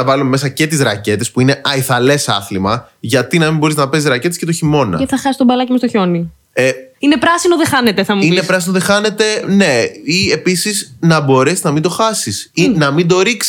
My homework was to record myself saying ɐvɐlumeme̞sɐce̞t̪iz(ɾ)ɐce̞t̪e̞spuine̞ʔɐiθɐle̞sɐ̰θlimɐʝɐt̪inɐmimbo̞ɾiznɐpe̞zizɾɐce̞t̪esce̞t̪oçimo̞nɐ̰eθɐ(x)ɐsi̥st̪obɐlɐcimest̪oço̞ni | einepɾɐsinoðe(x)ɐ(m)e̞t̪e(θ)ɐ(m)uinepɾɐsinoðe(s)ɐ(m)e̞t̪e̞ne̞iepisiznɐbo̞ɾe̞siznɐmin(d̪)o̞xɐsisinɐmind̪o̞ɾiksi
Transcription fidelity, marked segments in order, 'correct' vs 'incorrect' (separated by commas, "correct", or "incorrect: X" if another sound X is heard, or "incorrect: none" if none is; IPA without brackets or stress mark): correct, correct, correct, incorrect: n, correct, correct, incorrect: x, incorrect: n, correct